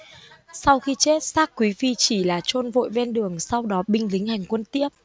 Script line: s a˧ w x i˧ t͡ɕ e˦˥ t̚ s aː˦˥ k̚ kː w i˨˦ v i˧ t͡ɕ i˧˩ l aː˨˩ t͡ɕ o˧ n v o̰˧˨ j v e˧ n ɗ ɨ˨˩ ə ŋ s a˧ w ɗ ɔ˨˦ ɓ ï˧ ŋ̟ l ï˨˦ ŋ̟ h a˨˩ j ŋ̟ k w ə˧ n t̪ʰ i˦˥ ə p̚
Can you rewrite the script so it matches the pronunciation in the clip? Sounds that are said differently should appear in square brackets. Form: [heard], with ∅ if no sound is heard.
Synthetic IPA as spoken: s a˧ w x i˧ t͡ɕ e˦˥ t̚ s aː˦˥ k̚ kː w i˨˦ v i˧ t͡ɕ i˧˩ l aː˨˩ t͡ɕ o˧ n v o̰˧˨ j v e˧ n ɗ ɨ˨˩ ə ŋ s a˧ w ɗ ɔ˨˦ ɓ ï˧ ŋ̟ l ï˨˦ ŋ̟ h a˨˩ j ŋ̟ k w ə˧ n [t̪] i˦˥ ə p̚